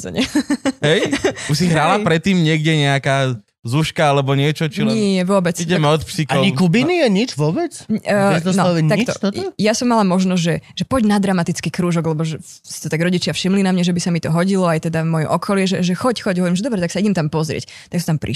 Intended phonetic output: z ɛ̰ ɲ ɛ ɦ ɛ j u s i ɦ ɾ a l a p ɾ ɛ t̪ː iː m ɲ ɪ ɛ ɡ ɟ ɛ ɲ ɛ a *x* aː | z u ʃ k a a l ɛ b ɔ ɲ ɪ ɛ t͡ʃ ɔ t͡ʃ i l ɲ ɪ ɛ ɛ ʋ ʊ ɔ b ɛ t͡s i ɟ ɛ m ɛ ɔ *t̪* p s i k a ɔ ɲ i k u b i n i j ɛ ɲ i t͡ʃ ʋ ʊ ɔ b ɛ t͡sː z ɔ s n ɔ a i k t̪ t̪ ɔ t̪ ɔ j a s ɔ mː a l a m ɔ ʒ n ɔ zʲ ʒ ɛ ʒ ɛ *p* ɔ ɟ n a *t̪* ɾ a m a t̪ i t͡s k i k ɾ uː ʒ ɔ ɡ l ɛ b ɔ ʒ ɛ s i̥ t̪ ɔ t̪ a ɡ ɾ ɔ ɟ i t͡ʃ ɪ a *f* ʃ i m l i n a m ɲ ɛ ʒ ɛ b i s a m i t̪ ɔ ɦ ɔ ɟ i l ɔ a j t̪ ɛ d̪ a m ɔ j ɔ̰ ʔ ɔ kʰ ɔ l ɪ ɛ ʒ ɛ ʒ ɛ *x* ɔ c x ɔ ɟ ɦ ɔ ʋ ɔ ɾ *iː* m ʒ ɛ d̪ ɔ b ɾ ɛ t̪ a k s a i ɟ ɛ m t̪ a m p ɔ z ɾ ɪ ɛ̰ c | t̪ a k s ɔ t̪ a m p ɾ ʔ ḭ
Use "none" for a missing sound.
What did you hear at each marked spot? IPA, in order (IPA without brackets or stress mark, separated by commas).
k, t̪, p, d̪, f, x, i